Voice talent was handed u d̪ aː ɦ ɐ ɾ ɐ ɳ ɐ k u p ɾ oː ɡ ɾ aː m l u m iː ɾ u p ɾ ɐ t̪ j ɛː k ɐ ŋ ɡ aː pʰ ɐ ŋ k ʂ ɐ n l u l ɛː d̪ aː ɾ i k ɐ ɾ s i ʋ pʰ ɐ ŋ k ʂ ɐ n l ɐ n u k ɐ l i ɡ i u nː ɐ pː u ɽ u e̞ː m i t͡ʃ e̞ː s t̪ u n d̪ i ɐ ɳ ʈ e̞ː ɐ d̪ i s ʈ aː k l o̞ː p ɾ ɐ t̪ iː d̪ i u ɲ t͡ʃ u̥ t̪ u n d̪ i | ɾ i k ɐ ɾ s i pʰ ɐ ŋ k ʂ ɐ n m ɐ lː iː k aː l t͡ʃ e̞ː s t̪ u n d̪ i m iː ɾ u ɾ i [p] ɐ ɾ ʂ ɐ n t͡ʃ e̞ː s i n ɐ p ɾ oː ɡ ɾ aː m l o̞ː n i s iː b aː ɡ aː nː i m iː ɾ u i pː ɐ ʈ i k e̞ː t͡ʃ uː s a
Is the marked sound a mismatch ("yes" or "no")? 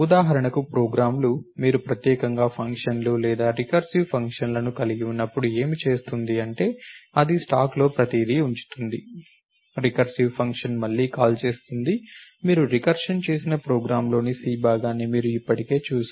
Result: yes